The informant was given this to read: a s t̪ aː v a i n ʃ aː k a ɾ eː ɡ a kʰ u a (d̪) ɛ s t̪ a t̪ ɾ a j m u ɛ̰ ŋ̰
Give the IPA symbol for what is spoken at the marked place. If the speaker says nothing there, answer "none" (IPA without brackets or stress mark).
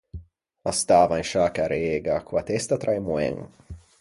t̪